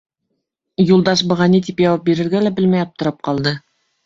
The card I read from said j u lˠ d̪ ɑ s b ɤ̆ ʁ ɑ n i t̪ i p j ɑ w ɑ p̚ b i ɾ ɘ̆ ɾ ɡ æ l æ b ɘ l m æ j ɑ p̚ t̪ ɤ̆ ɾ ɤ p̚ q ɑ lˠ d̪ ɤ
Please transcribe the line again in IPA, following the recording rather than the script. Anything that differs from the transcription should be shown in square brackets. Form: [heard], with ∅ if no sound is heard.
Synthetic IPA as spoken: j u lˠ d̪ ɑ [ʃ] b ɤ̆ ʁ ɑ n i t̪ i p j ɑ w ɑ p̚ b i ɾ ɘ̆ ɾ ɡ æ l æ b ɘ l m æ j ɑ p̚ t̪ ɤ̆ ɾ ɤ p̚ q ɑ lˠ d̪ ɤ

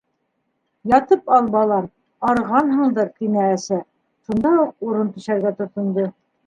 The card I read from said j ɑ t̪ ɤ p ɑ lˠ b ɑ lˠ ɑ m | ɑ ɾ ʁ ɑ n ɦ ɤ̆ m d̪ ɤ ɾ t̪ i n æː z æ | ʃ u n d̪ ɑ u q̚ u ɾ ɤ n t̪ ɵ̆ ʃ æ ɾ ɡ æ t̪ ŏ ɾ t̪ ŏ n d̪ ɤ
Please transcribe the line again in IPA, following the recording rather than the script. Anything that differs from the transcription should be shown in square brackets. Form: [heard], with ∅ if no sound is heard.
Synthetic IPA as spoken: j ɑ t̪ ɤ p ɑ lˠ b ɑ lˠ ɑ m | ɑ ɾ ʁ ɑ n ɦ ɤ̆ [ɴ] d̪ ɤ ɾ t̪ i n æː [s] æ | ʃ u n d̪ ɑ u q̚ u ɾ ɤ n t̪ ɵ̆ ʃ æ ɾ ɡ æ t̪ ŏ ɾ t̪ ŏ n d̪ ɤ

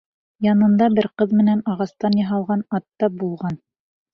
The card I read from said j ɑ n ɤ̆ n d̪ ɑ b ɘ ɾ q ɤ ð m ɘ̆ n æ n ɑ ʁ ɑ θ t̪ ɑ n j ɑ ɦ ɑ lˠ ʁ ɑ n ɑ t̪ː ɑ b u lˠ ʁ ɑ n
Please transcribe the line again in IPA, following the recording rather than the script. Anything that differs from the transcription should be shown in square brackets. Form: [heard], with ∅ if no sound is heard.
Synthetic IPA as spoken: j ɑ n ɤ̆ n d̪ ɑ b ɘ ɾ q ɤ ð m ɘ̆ n æ n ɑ ʁ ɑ [s] t̪ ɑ n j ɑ ɦ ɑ lˠ ʁ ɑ n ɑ t̪ː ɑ b u lˠ ʁ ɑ n

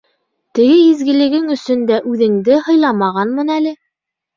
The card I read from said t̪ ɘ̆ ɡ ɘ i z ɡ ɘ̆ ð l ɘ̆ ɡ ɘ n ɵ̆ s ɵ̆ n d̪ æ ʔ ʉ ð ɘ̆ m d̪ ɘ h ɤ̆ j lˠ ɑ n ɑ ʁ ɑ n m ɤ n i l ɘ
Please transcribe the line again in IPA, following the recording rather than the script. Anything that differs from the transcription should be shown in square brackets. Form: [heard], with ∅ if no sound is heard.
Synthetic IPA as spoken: t̪ ɘ̆ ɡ ɘ i z ɡ ɘ̆ [∅] l ɘ̆ ɡ ɘ [ŋ] ɵ̆ s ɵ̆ n d̪ æ ʔ ʉ ð ɘ̆ [ŋ] d̪ ɘ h ɤ̆ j lˠ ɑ [m] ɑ ʁ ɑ n m ɤ n [æ] l ɘ

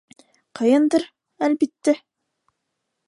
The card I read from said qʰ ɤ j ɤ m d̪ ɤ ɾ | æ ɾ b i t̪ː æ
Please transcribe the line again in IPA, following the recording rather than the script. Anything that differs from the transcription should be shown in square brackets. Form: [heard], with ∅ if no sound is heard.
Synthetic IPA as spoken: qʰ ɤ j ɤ [n] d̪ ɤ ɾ | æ [l] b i t̪ː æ

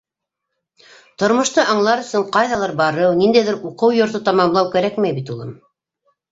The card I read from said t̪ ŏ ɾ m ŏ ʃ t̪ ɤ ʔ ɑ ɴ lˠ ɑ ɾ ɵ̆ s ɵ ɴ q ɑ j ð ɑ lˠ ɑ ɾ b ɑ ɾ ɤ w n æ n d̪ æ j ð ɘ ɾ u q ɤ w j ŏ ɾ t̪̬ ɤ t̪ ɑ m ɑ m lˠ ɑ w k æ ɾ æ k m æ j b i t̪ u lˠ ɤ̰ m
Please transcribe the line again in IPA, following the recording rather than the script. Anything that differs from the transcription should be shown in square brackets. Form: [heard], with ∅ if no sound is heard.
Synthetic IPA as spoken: t̪ ŏ ɾ m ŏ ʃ t̪ ɤ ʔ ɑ ɴ lˠ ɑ ɾ ɵ̆ s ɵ ɴ q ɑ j ð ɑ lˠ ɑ ɾ b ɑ ɾ ɤ w n [i] n d̪ æ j ð ɘ ɾ u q ɤ w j ŏ ɾ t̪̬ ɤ t̪ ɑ m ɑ m lˠ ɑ w k æ ɾ æ k m æ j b i t̪ u lˠ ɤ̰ m

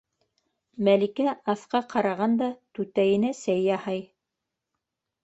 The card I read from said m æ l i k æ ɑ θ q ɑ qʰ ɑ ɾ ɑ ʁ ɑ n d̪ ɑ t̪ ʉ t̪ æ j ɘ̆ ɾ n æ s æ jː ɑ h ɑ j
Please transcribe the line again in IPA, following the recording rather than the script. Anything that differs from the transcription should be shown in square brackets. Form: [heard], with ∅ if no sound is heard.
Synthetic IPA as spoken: m æ l i k æ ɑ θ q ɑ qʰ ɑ ɾ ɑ ʁ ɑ n d̪ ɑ t̪ ʉ t̪ æ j ɘ̆ [∅] n æ s æ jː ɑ h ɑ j

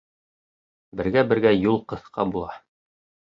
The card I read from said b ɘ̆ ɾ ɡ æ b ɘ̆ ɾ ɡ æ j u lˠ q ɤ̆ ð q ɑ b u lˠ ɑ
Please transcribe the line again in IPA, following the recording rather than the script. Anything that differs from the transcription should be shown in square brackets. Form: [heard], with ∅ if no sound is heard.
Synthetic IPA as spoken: b ɘ̆ ɾ ɡ æ b ɘ̆ ɾ ɡ æ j u lˠ q ɤ̆ [θ] q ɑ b u lˠ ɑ

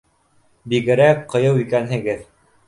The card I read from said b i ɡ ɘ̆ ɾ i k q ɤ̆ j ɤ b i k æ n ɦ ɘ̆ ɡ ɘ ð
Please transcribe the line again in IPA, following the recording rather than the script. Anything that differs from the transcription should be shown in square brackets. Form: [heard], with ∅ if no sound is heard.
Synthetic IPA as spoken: b i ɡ ɘ̆ ɾ [æ] k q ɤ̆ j ɤ [w] i k æ n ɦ ɘ̆ ɡ ɘ ð

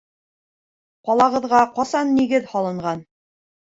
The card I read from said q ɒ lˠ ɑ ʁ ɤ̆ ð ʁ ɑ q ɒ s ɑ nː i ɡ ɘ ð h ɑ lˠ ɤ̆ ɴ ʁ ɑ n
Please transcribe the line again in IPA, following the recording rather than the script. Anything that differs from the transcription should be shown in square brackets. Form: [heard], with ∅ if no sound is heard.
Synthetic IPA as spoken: q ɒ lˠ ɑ ʁ ɤ̆ ð ʁ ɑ q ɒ s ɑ nː i ɡ ɘ ð h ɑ lˠ ɤ̆ ɴ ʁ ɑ n

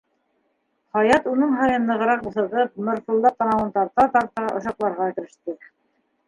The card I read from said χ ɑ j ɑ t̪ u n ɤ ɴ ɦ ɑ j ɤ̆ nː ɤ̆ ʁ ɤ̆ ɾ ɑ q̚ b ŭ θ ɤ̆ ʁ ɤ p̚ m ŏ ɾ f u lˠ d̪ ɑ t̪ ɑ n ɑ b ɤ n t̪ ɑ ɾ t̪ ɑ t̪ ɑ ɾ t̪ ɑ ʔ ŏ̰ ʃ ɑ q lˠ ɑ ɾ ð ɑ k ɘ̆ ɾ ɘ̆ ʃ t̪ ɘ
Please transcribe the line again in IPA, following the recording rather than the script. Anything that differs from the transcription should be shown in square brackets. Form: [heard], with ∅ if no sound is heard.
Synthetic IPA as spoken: χ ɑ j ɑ t̪ u n ɤ ɴ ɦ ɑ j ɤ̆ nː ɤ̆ ʁ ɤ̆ ɾ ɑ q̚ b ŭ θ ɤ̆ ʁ ɤ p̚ m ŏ ɾ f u lˠ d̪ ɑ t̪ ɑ n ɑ [w] ɤ n t̪ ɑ ɾ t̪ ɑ t̪ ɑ ɾ t̪ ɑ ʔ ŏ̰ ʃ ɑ q lˠ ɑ ɾ [ʁ] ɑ k ɘ̆ ɾ ɘ̆ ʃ t̪ ɘ

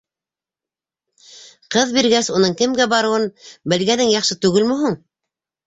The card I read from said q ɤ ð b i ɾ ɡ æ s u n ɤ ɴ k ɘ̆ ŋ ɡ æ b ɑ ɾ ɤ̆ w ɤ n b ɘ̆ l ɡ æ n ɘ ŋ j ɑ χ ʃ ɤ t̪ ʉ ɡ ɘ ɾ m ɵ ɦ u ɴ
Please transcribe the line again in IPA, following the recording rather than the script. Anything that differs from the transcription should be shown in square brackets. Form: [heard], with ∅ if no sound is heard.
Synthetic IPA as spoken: q ɤ ð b i ɾ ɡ æ s u n ɤ ɴ k ɘ̆ [m] ɡ æ b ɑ ɾ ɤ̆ w ɤ n b ɘ̆ l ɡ æ n ɘ ŋ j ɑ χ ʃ ɤ t̪ ʉ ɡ ɘ [l] m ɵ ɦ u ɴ

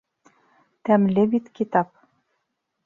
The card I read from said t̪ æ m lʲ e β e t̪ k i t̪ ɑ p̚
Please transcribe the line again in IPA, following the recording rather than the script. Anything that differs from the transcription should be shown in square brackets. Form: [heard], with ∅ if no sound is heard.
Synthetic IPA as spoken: t̪ æ m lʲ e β [i] t̪ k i t̪ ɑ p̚

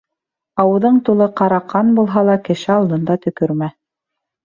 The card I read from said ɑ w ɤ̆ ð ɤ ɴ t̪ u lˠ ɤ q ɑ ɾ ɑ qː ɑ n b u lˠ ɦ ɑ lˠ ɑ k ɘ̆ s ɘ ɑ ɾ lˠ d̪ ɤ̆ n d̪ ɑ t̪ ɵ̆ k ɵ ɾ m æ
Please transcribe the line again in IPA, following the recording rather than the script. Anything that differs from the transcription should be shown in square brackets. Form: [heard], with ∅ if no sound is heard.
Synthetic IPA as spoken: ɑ w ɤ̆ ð ɤ ɴ t̪ u lˠ ɤ q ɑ ɾ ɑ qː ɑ n b u lˠ ɦ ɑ lˠ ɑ k ɘ̆ [ʃ] ɘ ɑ [∅] lˠ d̪ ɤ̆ n d̪ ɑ t̪ ɵ̆ k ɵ ɾ m æ

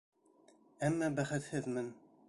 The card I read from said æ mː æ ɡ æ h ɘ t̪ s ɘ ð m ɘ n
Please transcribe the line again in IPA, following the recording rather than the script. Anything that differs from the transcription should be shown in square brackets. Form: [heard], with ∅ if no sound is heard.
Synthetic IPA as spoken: æ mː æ [b] æ [χ] ɘ t̪ [h] ɘ ð m ɘ n

